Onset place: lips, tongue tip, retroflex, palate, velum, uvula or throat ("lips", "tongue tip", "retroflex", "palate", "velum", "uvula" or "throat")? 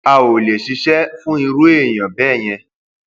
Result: tongue tip